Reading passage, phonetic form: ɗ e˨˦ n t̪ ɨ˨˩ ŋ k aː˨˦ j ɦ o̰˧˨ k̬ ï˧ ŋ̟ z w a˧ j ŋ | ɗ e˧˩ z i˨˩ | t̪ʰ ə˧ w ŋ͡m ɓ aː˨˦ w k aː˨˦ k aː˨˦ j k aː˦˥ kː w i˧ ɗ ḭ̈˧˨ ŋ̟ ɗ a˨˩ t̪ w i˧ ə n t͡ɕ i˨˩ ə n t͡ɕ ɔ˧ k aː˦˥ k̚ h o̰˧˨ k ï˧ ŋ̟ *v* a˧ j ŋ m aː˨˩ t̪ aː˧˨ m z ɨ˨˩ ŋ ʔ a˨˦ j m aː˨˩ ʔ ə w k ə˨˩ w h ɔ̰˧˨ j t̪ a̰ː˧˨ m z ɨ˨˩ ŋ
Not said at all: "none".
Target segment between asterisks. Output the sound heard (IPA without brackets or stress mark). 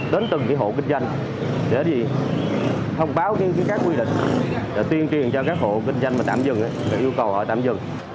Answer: z